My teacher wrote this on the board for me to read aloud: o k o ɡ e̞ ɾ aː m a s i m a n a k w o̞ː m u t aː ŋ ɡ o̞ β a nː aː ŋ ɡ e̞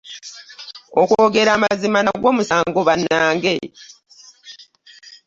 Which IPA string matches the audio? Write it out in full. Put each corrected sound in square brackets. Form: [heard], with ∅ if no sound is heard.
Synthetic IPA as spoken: o k o ɡ e̞ ɾ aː m a [z] i m a n a [ɡ] w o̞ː m u [s] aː ŋ ɡ o̞ β a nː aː ŋ ɡ e̞